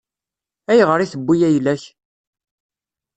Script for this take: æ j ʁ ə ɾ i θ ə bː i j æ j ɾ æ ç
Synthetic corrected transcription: æ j ʁ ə ɾ i θ ə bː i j æ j l æ ç